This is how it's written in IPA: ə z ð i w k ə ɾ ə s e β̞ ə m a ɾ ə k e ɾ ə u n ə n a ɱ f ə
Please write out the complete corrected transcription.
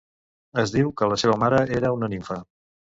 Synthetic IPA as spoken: ə z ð i w k ə l ə s e β̞ ə m a ɾ ə e ɾ ə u n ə n i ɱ f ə

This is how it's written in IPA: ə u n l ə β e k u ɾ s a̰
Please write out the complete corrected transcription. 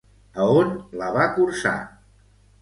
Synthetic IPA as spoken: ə o n l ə β a k u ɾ s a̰

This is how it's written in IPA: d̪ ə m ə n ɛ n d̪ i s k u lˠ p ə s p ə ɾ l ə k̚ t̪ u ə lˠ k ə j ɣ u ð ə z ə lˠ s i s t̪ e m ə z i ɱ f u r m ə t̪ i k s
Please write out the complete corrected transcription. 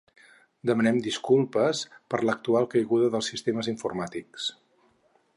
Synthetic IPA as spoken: d̪ ə m ə n ɛ m d̪ i s k u lˠ p ə s p ə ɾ l ə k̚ t̪ u a lˠ k ə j ɣ u ð ə ð ə lˠ s i s t̪ e m ə z i ɱ f u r m a t̪ i k s

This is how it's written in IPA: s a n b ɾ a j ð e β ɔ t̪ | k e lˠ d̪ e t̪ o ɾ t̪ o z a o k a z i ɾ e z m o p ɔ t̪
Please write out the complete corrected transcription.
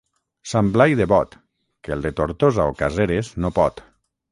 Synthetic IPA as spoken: s a m b l a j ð e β ɔ t̪ | k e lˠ d̪ e t̪ o ɾ t̪ o z a o k a z e ɾ e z n o p ɔ t̪

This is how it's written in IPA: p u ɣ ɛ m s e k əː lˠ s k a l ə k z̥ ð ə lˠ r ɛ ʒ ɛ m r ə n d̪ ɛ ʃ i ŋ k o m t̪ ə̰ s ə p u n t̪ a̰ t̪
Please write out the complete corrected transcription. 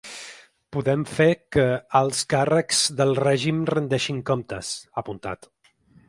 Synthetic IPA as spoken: p u ð ɛ m f e k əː lˠ s k a r ə k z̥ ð ə lˠ r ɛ ʒ i m r ə n d̪ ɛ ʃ i ŋ k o m t̪ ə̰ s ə p u n t̪ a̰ t̪

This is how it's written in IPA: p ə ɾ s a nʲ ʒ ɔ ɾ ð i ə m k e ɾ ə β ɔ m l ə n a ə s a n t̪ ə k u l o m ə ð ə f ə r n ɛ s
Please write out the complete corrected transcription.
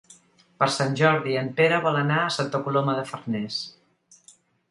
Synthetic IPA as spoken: p ə ɾ s a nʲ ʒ ɔ ɾ ð i ə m p e ɾ ə β ɔ l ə n a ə s a n t̪ ə k u l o m ə ð ə f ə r n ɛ s

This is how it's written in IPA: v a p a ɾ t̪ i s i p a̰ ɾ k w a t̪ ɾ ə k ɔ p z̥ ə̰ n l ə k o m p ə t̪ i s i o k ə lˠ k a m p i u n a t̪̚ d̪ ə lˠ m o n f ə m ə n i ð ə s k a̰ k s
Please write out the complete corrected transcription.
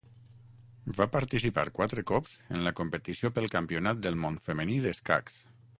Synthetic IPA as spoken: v a p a ɾ t̪ i s i p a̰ ɾ k w a t̪ ɾ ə k ɔ p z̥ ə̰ n l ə k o m p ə t̪ i s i o p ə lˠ k a m p i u n a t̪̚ d̪ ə lˠ m o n f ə m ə n i ð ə s k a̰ k s

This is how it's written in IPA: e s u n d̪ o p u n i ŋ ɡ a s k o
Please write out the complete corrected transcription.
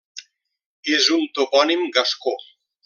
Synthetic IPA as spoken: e z u n t̪ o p ɔ n i m ɡ a s k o

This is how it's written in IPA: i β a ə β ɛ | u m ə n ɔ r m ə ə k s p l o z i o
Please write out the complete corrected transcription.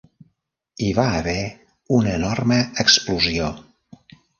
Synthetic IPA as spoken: i β a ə β ɛ | u n ə n ɔ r m ə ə k s p l u z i o

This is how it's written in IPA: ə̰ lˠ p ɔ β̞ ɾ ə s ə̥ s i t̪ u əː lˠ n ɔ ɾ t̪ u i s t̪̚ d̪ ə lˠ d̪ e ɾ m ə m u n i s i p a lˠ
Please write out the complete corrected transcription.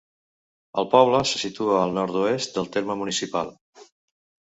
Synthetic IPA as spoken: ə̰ lˠ p ɔ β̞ l ə s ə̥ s i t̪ u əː lˠ n ɔ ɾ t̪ u e s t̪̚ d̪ ə lˠ t̪ e ɾ m ə m u n i s i p a lˠ

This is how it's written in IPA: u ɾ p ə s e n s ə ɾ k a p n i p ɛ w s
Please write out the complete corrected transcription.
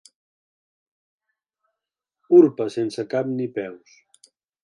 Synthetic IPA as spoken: u ɾ p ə s e n s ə k a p n i p ɛ w s

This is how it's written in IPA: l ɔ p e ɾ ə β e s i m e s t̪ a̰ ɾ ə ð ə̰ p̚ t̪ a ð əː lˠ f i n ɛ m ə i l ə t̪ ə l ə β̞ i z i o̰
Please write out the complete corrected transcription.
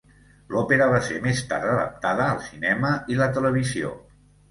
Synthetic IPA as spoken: l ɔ p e ɾ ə β a s e m e s t̪ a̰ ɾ ə ð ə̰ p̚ t̪ a ð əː lˠ s i n ɛ m ə i l ə t̪ ə l ə β̞ i z i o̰

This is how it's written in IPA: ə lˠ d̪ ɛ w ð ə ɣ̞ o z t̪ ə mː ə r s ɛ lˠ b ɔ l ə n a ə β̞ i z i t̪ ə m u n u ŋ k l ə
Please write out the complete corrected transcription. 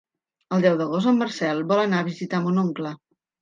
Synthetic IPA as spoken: ə lˠ d̪ ɛ w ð ə ɣ̞ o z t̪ ə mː ə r s ɛ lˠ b ɔ l ə n a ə β̞ i z i t̪ a m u n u ŋ k l ə

